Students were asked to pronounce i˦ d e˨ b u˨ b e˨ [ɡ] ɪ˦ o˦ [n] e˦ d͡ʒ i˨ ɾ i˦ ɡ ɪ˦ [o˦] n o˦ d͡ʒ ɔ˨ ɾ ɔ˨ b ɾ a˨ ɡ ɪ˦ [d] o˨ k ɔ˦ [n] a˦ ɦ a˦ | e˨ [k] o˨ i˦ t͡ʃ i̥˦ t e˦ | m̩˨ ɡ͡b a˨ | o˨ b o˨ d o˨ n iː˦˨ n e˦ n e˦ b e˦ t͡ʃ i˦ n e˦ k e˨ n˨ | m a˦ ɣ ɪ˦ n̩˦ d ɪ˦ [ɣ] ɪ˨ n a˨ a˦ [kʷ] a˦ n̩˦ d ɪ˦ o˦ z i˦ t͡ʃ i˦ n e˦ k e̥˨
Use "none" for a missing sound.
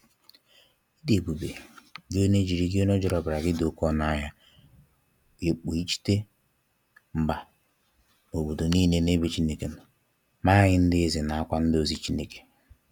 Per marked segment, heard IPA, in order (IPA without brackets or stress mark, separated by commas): ɡ, n, o˦, d, n, k͡p, z, kʷ